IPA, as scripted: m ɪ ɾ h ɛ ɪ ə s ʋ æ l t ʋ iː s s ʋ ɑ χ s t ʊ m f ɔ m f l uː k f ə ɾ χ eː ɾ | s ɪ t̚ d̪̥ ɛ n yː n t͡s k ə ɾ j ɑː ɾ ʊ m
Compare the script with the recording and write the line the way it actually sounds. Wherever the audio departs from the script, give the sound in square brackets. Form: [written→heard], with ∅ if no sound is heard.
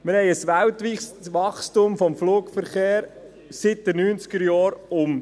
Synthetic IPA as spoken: m ɪ ɾ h ɛ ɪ ə s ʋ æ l t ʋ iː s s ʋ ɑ χ s t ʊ m f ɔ m f l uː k f ə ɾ χ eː ɾ | s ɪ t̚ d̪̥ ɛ n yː n t͡s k ə ɾ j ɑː ɾ ʊ m